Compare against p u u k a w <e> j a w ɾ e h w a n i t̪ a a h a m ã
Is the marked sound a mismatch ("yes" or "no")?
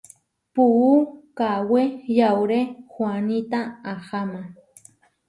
no